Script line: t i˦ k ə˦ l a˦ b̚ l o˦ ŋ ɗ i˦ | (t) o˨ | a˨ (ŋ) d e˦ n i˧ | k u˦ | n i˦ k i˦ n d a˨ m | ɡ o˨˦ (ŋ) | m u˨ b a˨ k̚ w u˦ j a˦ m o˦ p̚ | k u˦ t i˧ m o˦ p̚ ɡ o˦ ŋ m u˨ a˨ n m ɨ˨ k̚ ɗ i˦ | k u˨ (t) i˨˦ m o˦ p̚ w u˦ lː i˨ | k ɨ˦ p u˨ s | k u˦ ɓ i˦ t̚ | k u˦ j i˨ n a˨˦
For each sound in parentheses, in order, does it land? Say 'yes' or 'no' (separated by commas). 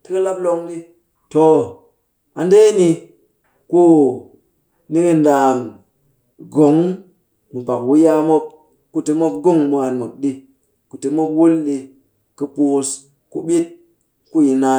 yes, no, yes, yes